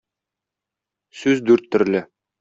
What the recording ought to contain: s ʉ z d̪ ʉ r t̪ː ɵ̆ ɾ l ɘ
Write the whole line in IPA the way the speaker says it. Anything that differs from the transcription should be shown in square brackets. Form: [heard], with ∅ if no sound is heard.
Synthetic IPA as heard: s ʉ z d̪ ʉ [ɾ] t̪ː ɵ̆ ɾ l ɘ